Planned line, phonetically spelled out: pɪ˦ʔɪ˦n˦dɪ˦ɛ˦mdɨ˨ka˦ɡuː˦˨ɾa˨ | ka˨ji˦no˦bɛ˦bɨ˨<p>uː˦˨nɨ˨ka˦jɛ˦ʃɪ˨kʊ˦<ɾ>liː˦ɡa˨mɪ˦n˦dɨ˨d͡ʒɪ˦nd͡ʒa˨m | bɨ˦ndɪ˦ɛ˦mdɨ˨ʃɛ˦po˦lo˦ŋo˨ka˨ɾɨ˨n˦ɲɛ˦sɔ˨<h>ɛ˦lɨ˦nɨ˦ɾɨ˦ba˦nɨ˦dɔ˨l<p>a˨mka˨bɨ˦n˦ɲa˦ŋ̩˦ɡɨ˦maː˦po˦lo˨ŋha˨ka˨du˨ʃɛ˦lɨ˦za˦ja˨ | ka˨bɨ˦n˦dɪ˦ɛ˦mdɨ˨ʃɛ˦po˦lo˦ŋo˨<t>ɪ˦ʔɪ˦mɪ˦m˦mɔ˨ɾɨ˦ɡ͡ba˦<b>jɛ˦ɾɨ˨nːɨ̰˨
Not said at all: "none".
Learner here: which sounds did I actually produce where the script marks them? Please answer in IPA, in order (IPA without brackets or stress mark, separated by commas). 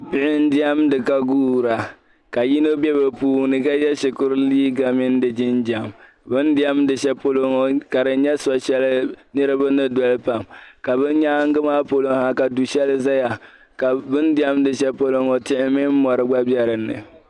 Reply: p, ɾ, ʃ, p, t, b